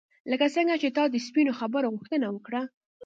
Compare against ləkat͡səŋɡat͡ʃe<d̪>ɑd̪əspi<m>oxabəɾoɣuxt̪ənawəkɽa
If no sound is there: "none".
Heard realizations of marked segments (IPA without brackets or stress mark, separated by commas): t̪, n